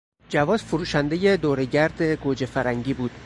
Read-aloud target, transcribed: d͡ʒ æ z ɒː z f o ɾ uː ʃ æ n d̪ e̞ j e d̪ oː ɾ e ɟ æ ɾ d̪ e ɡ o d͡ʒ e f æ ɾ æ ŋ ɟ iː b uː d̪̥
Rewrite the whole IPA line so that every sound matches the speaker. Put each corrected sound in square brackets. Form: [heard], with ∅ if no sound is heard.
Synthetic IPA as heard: d͡ʒ æ [v] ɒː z f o ɾ uː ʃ æ n d̪ e̞ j e d̪ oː ɾ e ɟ æ ɾ d̪ e ɡ o d͡ʒ e f æ ɾ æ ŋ ɟ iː b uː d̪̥